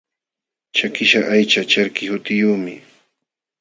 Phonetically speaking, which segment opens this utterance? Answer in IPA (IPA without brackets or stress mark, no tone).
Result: t͡ʃ